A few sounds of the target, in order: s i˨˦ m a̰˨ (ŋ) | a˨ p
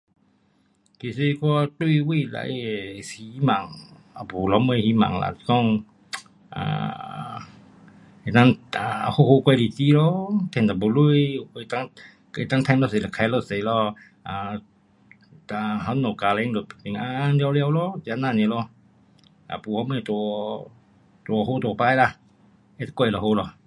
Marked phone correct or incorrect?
correct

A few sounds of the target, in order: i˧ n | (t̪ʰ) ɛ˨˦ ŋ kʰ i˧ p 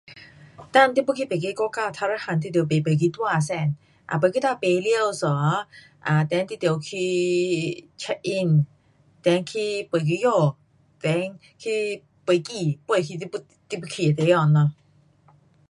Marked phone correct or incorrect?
incorrect: t̪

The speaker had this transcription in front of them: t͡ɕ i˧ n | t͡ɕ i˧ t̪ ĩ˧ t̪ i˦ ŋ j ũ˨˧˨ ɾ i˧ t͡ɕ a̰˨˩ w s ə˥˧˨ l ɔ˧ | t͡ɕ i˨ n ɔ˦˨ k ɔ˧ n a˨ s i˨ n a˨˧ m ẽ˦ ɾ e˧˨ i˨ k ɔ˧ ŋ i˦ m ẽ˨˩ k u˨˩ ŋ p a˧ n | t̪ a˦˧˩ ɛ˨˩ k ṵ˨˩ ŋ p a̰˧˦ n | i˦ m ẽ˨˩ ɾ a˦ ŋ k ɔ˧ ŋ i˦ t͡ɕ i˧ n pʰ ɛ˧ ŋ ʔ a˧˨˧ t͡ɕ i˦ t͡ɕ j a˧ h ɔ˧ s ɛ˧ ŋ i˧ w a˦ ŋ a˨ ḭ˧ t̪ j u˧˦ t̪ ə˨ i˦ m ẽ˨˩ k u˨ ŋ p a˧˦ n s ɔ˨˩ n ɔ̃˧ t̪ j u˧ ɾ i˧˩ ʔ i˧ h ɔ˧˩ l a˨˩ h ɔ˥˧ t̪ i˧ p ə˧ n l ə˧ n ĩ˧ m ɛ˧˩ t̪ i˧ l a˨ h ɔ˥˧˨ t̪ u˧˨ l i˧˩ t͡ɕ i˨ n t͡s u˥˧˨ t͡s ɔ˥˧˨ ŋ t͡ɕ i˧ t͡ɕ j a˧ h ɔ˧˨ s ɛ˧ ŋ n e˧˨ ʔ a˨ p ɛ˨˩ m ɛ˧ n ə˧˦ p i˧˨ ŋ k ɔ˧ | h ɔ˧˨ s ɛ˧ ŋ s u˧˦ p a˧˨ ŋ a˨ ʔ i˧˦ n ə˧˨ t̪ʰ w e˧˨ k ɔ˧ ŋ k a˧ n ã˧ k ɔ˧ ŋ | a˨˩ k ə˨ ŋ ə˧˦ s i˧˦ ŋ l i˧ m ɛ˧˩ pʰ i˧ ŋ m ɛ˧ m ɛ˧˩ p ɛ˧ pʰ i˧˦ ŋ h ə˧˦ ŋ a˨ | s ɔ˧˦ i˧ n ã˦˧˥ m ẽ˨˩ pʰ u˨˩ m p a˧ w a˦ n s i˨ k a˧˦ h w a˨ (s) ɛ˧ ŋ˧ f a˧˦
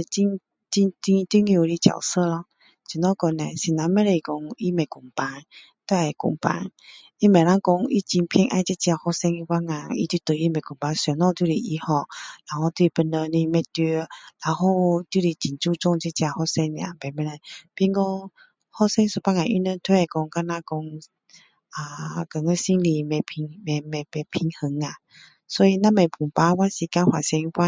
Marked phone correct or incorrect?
correct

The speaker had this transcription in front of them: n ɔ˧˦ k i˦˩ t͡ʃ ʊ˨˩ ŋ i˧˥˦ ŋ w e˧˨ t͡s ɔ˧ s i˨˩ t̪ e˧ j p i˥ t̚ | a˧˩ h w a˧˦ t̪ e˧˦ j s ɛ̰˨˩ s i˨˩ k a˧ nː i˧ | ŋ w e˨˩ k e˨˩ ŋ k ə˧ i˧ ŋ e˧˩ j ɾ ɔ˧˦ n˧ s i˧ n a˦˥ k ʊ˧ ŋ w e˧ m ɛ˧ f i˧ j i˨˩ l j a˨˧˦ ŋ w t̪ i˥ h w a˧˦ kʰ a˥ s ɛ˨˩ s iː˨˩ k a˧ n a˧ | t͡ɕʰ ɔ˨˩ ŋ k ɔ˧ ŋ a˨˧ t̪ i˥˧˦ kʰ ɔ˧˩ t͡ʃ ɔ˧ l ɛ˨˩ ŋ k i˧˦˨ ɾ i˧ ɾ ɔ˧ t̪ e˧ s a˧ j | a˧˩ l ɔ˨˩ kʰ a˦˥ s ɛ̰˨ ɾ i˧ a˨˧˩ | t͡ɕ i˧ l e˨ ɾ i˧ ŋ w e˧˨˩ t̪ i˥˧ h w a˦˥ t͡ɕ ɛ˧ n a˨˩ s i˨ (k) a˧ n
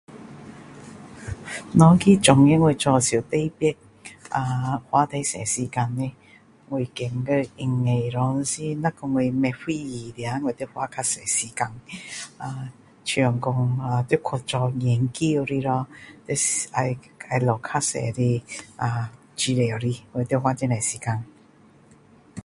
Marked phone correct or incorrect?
correct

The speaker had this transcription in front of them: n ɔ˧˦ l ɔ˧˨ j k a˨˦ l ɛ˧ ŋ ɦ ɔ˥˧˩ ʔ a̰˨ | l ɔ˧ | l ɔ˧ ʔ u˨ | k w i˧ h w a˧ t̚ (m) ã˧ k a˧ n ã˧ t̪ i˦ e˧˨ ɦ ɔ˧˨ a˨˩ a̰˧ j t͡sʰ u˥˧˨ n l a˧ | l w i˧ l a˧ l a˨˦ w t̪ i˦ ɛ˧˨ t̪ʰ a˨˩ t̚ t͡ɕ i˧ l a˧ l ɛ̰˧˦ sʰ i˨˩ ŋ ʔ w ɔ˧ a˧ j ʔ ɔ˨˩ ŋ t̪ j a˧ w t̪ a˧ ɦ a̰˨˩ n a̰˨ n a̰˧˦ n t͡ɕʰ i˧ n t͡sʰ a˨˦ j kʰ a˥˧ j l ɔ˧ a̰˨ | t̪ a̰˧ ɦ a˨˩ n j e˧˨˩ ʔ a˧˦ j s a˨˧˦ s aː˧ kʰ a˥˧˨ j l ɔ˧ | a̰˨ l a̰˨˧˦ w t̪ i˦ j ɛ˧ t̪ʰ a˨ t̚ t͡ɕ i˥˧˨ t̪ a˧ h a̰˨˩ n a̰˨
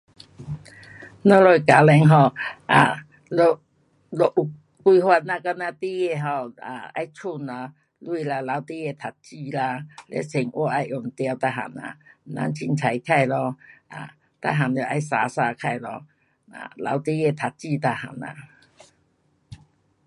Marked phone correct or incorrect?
incorrect: n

